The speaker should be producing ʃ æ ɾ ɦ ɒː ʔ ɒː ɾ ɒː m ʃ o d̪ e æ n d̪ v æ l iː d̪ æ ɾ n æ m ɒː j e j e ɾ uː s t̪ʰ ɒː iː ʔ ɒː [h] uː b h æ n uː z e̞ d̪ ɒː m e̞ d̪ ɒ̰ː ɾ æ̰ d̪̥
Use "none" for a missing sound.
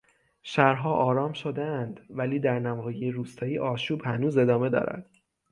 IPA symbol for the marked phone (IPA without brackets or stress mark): ʃ